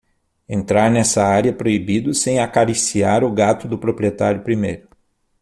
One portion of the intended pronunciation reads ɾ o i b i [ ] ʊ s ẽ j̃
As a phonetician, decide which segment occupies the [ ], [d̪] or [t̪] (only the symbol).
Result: d̪